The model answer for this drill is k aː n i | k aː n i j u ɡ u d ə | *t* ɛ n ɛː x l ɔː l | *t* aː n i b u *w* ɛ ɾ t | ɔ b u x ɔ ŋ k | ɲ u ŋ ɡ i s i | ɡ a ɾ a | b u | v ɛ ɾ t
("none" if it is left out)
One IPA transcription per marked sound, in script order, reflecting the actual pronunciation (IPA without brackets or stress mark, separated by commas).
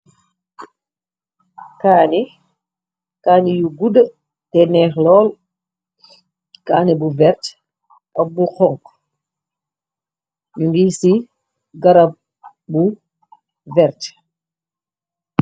t, k, v